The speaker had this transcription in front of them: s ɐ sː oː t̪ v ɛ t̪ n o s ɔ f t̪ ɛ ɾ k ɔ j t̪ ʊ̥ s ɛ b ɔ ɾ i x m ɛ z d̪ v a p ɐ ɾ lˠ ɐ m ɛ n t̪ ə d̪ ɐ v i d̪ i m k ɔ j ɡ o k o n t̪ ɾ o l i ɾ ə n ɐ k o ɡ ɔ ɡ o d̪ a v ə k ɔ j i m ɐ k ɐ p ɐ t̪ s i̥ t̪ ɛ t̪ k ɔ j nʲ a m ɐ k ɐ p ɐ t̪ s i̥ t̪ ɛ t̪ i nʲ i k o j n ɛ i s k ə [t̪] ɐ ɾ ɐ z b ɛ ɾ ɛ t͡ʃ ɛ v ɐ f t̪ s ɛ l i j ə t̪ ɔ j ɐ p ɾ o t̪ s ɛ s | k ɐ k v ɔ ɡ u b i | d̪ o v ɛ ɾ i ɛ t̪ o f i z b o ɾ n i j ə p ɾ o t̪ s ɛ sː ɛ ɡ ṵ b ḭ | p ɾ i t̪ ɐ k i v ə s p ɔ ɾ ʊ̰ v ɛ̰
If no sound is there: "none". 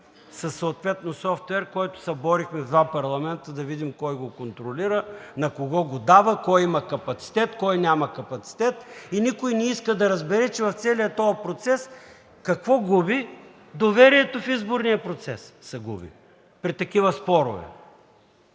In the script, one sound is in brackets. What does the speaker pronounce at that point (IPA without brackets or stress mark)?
d̪